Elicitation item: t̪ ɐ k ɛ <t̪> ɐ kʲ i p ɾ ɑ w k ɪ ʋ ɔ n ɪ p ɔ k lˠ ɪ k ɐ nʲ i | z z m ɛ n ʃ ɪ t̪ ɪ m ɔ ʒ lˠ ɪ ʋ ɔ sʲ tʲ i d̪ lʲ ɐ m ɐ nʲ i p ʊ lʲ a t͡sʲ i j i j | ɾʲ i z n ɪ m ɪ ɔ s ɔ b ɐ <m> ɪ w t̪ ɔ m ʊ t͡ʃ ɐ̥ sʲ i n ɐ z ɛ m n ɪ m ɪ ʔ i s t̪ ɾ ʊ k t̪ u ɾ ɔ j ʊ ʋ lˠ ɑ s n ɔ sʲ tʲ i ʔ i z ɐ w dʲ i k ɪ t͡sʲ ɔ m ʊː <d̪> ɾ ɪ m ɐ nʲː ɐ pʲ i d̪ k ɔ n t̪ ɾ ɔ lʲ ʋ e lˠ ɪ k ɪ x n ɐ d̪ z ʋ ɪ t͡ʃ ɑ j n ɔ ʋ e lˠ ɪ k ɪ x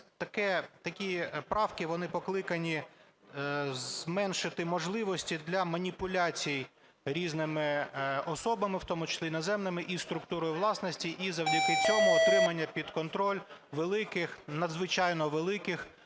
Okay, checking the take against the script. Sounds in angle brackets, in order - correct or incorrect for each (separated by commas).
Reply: correct, correct, incorrect